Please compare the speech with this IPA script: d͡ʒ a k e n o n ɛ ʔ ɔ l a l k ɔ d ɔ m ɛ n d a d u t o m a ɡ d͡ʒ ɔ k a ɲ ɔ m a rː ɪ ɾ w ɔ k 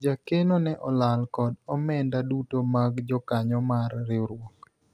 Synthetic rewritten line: d͡ʒ a k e n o n ɛ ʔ ɔ l a l k ɔ d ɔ m ɛ n d a d u t o m a ɡ d͡ʒ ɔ k a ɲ ɔ m a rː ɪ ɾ w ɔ k